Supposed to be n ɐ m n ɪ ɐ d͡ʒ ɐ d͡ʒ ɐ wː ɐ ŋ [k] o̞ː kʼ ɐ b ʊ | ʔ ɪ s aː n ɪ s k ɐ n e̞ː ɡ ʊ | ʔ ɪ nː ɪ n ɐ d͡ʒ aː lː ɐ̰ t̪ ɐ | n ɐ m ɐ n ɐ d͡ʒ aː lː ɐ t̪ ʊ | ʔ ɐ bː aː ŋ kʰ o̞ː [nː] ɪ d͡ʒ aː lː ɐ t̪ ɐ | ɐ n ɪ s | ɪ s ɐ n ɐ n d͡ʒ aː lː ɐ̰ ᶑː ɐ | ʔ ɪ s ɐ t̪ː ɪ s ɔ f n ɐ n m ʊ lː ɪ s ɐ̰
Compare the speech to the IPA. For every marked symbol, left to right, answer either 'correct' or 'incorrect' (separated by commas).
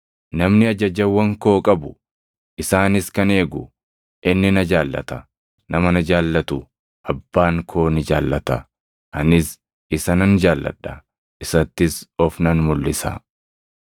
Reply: correct, incorrect